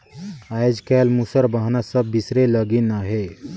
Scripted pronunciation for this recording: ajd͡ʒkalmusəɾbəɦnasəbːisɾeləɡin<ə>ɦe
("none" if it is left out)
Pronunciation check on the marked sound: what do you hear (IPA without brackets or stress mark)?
a